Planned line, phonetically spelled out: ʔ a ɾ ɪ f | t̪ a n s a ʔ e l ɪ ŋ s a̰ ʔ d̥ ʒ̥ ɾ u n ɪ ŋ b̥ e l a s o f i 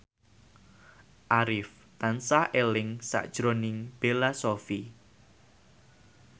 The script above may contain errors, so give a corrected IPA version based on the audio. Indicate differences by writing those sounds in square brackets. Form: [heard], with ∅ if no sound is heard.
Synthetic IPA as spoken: ʔ a ɾ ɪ f | t̪ a n s a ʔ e l ɪ ŋ s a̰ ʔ d̥ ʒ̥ ɾ [o] n ɪ ŋ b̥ e l a s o f i